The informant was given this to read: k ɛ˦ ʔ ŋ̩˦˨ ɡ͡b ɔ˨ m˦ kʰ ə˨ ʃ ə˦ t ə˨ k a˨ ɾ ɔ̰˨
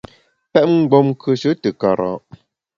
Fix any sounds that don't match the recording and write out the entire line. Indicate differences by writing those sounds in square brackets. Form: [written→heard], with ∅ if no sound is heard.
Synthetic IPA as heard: [k→p] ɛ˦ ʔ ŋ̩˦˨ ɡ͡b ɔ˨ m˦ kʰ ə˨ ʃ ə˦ t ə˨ k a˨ ɾ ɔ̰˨